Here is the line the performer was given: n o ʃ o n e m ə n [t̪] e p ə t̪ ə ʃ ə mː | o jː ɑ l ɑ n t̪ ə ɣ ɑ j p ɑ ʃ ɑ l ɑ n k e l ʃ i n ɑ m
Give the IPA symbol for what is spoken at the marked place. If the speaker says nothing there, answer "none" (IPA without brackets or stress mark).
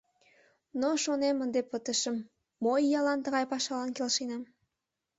d̪